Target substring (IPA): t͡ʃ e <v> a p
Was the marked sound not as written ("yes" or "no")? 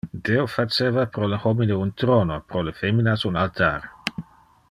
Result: no